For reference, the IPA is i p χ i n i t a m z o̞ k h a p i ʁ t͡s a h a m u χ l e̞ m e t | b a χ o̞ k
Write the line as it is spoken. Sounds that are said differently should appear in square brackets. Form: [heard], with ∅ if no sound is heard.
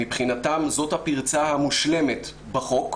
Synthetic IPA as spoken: i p χ i n [a] t a m z o̞ [t] h a p i ʁ t͡s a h a m u [ʃ] l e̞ m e t | b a χ o̞ k